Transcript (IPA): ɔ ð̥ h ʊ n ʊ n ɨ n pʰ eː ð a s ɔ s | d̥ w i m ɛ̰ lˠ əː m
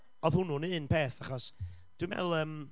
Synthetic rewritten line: ɔ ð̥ h ʊ n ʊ n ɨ n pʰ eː θ a χ ɔ s | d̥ w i m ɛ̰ lˠ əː m